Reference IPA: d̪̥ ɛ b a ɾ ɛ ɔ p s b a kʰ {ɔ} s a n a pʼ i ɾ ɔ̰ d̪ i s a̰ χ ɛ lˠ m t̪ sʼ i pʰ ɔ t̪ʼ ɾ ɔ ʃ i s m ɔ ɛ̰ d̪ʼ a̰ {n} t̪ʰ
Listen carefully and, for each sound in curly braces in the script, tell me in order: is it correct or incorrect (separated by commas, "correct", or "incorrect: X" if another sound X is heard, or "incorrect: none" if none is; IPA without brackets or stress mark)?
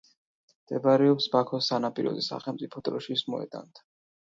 correct, correct